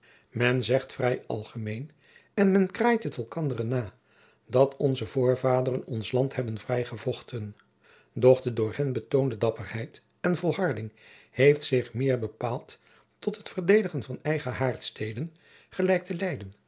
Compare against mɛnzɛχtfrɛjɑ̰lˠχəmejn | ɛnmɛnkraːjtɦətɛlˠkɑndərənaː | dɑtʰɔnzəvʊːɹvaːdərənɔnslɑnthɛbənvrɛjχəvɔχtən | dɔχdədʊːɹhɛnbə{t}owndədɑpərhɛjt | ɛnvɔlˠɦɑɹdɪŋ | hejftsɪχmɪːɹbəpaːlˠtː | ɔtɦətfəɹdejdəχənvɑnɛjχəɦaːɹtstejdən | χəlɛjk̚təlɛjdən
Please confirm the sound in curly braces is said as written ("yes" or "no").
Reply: yes